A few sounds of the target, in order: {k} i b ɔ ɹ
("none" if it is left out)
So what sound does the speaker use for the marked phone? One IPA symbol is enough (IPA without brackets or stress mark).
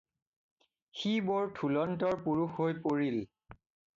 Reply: x